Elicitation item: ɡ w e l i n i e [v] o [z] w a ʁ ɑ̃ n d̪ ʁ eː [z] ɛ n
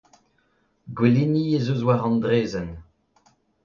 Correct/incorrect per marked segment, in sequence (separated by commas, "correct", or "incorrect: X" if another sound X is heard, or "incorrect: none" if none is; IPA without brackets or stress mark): incorrect: z, correct, correct